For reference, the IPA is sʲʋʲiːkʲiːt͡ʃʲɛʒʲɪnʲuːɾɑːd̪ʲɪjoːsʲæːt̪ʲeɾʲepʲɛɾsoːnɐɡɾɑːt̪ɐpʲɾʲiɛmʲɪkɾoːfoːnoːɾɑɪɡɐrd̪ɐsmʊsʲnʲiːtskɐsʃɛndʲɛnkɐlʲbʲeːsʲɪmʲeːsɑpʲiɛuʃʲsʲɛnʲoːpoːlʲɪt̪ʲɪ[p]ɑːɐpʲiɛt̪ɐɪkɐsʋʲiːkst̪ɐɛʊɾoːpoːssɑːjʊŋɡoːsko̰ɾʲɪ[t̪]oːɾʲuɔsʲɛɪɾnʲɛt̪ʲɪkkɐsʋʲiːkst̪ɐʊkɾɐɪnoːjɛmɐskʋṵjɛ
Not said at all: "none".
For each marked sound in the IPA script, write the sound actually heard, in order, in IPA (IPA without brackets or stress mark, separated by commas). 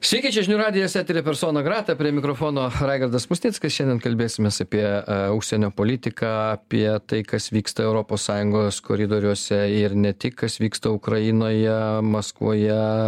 k, d̪